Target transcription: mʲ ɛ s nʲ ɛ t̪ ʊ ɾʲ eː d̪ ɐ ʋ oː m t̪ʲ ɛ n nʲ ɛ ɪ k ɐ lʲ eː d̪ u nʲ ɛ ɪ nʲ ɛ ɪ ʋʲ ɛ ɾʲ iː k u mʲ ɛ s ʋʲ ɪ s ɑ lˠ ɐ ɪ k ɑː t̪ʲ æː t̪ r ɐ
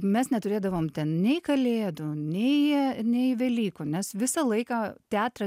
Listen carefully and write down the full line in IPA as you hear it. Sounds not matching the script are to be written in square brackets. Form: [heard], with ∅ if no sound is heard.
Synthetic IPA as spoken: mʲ ɛ s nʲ ɛ t̪ ʊ ɾʲ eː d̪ ɐ ʋ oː m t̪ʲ ɛ n nʲ ɛ ɪ k ɐ lʲ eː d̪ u nʲ ɛ ɪ nʲ ɛ ɪ ʋʲ ɛ [lʲ] iː k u [nʲ] ɛ s ʋʲ ɪ s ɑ lˠ ɐ ɪ k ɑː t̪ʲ æː t̪ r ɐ

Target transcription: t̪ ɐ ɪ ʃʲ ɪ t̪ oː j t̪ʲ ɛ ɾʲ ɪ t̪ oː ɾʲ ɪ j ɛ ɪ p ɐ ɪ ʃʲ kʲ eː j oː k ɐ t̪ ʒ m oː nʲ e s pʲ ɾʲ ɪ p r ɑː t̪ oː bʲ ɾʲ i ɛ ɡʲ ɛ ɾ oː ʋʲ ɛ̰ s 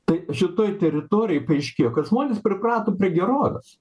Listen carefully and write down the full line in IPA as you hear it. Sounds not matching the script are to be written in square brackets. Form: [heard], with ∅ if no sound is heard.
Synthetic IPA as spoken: t̪ ɐ ɪ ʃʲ ɪ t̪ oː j t̪ʲ ɛ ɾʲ ɪ t̪ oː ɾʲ ɪ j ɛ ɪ p ɐ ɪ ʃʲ kʲ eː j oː k ɐ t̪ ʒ m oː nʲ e s pʲ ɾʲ ɪ p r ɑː t̪ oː [pʲ] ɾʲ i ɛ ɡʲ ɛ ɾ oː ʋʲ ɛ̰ s

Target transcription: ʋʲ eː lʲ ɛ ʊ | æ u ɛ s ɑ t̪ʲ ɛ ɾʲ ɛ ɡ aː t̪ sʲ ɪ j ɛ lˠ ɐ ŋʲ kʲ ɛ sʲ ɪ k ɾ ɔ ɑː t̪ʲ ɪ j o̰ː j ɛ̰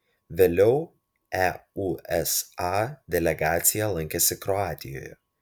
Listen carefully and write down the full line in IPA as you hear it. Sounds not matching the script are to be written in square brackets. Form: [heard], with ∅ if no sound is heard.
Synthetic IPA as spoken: ʋʲ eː lʲ ɛ ʊ | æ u ɛ s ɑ [d̪ʲ] ɛ [lʲ] ɛ ɡ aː t̪ sʲ ɪ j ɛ lˠ ɐ ŋʲ kʲ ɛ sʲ ɪ k ɾ ɔ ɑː t̪ʲ ɪ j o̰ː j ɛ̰

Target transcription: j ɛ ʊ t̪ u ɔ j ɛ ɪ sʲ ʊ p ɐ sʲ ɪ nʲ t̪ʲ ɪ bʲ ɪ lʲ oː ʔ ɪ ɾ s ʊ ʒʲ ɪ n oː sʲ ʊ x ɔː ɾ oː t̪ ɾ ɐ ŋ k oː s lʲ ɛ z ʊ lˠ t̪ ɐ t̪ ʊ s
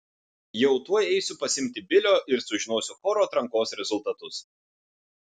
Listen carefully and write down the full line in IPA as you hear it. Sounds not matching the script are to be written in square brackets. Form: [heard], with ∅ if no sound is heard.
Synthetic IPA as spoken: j ɛ ʊ t̪ u ɔ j ɛ ɪ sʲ ʊ p ɐ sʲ ɪ [mʲ] t̪ʲ ɪ bʲ ɪ lʲ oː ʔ ɪ ɾ s ʊ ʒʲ ɪ n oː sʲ ʊ x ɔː ɾ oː t̪ ɾ ɐ ŋ k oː s [ɾʲ] ɛ z ʊ lˠ t̪ ɐ t̪ ʊ s

